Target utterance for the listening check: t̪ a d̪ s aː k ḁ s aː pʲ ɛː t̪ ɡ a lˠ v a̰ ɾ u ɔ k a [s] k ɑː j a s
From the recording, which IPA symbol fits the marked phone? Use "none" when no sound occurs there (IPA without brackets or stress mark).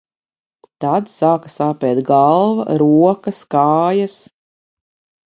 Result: s